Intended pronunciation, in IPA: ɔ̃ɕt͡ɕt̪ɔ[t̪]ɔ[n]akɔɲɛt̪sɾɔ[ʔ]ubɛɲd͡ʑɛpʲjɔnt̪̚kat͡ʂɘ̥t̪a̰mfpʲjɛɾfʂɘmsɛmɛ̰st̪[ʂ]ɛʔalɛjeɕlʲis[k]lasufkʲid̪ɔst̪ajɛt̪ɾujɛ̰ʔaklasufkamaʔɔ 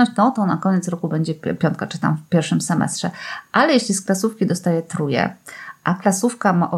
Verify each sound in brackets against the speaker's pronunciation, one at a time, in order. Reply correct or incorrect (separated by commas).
correct, correct, incorrect, correct, correct